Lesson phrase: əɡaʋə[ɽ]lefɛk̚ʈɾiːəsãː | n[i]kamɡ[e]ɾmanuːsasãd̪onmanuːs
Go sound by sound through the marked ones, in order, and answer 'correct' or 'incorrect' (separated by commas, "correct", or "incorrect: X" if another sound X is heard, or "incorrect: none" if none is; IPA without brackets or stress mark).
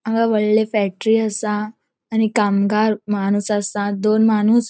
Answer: incorrect: ɭ, correct, incorrect: a